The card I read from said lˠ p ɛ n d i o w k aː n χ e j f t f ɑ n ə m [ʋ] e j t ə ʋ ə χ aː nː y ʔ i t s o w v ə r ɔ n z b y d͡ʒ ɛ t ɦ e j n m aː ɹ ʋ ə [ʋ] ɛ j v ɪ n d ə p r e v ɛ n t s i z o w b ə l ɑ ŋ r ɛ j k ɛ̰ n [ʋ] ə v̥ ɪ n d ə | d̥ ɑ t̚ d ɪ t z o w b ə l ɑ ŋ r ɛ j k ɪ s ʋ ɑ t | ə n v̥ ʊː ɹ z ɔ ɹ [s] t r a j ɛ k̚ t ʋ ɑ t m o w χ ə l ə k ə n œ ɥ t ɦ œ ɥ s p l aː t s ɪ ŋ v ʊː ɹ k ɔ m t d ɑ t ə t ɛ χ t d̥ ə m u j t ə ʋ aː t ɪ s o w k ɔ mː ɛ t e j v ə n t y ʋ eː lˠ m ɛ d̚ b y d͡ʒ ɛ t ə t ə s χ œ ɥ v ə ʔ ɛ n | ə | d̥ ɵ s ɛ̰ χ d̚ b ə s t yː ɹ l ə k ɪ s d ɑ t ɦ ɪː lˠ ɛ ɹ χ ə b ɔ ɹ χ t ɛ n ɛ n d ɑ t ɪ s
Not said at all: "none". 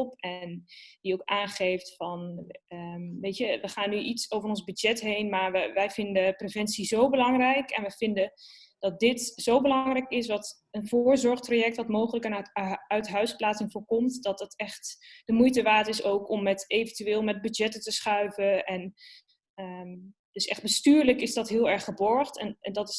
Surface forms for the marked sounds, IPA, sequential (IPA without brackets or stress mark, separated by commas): ʋ, ʋ, ʋ, χ